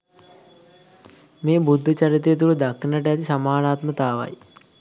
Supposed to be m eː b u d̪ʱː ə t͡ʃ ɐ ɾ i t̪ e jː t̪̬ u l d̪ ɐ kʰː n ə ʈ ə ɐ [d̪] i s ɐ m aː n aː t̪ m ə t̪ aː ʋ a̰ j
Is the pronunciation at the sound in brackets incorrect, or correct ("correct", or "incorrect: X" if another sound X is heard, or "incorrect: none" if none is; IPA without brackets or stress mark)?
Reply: incorrect: t̪